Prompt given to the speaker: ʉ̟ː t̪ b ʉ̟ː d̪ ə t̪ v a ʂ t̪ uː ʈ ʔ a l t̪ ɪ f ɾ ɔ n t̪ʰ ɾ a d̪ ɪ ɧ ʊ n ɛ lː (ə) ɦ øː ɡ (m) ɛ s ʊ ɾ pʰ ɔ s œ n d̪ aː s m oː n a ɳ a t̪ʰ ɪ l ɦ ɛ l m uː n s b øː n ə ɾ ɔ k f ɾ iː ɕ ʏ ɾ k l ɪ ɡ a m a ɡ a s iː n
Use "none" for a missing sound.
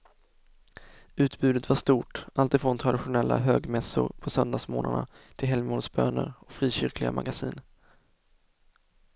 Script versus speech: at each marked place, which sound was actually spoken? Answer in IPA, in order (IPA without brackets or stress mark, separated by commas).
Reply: a, m